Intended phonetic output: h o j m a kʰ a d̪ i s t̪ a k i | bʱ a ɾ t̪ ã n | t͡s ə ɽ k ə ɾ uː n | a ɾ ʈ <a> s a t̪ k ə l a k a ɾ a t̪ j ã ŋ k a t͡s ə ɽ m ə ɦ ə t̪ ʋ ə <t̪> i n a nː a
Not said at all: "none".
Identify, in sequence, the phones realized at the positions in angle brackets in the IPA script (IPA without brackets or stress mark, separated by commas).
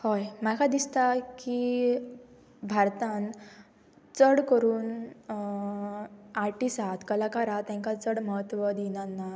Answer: i, d̪